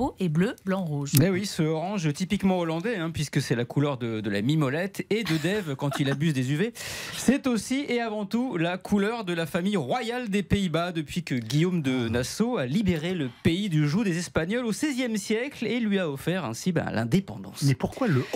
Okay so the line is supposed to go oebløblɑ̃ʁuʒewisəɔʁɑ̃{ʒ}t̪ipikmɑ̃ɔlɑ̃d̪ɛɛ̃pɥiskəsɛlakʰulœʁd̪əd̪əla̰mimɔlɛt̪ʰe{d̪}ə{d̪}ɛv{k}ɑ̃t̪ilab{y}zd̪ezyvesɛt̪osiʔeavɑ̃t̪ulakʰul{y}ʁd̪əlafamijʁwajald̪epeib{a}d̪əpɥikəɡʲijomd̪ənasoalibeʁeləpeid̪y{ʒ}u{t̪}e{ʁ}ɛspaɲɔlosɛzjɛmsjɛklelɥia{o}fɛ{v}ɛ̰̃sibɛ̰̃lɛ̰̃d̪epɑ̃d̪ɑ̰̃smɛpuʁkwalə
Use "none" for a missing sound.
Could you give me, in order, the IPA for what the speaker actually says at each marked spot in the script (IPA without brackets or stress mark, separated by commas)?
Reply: ʒ, d̪, d̪, k, y, œ, a, ʒ, d̪, z, ɔ, ʁ